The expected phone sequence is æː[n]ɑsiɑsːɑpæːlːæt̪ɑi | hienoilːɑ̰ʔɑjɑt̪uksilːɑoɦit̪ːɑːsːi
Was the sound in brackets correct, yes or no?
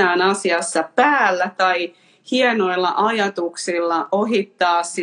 yes